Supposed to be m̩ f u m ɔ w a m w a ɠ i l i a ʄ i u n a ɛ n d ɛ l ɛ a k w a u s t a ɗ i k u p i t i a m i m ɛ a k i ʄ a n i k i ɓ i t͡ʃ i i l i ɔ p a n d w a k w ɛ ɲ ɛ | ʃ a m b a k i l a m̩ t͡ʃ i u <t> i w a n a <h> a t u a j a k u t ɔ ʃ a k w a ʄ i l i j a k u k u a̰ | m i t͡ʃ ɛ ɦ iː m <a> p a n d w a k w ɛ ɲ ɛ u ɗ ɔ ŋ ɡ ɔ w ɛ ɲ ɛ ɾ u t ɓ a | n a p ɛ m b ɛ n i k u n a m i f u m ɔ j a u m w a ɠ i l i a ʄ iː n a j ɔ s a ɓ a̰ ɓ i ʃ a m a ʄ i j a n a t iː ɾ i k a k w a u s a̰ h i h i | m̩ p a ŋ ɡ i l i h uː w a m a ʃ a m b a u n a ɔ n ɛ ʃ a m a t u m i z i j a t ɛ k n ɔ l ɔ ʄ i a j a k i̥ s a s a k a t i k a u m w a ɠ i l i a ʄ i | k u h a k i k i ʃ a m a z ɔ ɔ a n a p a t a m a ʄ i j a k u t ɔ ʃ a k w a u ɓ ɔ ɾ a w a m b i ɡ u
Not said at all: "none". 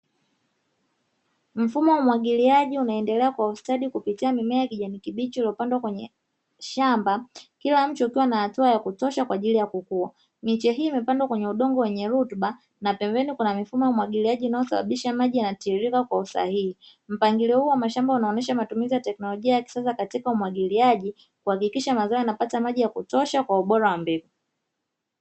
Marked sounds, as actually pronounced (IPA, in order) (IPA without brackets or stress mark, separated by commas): k, h, ɛ